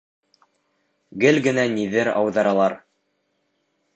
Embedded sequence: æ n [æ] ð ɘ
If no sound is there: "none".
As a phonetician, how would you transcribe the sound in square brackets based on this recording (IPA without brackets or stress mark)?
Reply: i